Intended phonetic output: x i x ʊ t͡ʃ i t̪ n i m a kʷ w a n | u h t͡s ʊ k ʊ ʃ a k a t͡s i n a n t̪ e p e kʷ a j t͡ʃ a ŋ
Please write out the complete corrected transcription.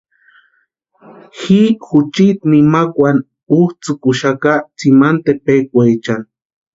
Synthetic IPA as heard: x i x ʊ t͡ʃ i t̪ n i m a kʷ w a n | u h t͡s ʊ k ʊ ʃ a k a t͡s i m a n t̪ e p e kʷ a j t͡ʃ a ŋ